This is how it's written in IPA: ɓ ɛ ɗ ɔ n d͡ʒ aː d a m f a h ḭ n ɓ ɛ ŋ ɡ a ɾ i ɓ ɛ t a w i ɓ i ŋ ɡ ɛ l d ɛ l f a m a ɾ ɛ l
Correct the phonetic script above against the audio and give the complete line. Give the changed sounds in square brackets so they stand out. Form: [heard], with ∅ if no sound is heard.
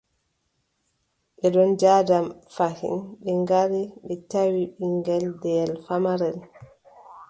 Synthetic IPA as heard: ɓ ɛ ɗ ɔ n d͡ʒ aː d a m f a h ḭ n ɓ ɛ ŋ ɡ a ɾ i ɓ ɛ t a w i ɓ i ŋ ɡ ɛ l d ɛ l f a m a ɾ ɛ l